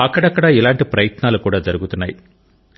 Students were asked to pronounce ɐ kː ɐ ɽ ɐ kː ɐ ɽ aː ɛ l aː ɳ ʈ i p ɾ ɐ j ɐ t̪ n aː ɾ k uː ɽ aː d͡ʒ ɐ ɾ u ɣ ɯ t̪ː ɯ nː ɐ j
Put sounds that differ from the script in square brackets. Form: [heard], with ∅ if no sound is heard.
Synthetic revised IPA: ɐ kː ɐ ɽ ɐ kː ɐ ɽ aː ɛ l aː ɳ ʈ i p ɾ ɐ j ɐ t̪ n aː [l] k uː ɽ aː d͡ʒ ɐ ɾ [ɯ] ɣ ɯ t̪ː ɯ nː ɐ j